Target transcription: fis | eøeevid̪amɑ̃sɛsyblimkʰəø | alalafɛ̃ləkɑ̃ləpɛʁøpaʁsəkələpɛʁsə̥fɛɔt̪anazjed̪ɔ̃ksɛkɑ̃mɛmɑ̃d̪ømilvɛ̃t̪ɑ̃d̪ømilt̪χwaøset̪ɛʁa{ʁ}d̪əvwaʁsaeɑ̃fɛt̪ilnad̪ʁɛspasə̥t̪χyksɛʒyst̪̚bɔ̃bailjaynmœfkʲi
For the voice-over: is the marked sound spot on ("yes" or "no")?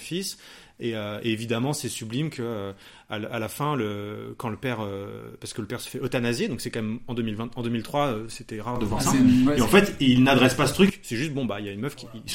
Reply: yes